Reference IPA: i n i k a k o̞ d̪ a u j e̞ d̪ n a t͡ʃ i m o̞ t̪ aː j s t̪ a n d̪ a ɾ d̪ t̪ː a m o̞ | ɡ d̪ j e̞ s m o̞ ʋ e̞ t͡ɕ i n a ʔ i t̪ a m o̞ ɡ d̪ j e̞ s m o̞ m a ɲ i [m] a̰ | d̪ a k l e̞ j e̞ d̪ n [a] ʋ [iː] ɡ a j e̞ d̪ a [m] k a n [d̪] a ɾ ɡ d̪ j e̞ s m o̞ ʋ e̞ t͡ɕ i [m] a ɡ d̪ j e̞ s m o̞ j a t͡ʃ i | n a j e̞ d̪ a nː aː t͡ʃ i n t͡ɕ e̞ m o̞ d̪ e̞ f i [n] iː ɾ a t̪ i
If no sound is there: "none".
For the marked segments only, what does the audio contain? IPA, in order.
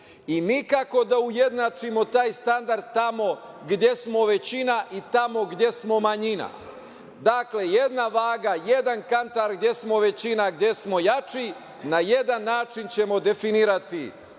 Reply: n, a, aː, n, t̪, n, n

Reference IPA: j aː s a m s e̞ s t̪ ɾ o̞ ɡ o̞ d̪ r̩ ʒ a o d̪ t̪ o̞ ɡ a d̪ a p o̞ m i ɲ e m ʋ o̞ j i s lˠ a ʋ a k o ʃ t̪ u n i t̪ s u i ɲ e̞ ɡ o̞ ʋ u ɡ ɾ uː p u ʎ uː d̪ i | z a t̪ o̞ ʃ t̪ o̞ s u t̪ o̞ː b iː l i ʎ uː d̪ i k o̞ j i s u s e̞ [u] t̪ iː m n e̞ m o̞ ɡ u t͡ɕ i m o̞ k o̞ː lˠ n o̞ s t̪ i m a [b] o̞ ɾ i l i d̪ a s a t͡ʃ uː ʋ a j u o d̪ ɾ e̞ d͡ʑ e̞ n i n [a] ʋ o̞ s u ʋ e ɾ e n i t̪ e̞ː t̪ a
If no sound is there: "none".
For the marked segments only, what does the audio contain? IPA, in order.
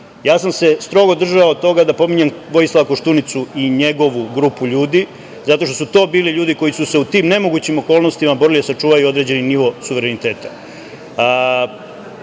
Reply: u, b, i

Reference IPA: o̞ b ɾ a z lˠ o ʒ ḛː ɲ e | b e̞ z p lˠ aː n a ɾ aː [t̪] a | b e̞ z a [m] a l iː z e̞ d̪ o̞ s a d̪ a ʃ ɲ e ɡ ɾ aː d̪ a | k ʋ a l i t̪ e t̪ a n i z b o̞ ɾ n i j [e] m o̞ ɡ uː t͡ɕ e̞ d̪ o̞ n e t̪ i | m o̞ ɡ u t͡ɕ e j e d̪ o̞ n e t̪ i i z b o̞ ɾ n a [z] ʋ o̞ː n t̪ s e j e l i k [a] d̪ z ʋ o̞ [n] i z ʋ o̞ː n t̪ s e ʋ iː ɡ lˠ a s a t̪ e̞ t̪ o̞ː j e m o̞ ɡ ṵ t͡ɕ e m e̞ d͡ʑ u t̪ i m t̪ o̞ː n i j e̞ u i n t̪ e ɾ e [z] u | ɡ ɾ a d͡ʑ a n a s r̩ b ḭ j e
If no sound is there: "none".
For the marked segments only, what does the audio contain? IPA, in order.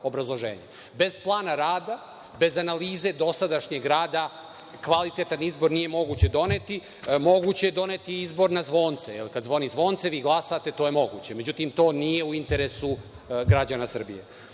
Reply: d̪, n, e, z, a, n, s

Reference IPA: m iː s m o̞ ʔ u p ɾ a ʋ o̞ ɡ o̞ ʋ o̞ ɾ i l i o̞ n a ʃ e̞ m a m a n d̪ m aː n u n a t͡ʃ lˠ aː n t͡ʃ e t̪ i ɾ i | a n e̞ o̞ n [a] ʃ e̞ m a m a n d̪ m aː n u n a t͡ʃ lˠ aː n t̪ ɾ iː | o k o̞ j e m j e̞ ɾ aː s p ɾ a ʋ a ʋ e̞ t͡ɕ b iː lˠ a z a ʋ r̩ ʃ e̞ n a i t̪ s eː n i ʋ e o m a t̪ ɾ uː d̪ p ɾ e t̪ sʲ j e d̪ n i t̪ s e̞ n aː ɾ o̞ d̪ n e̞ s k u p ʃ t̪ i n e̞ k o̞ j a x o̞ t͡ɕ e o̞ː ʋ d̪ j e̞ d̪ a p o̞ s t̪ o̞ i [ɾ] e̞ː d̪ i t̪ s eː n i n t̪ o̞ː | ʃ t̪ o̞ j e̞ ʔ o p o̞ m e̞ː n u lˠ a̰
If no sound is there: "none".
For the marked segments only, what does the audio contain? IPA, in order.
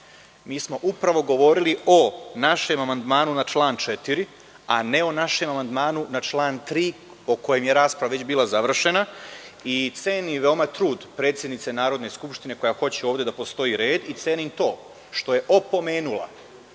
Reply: a, ɾ

